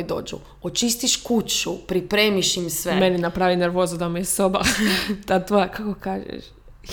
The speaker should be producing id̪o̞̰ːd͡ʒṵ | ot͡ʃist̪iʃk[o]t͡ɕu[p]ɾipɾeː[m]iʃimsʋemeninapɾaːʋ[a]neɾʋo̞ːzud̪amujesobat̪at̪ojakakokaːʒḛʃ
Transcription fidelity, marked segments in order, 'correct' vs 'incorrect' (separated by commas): incorrect, correct, correct, incorrect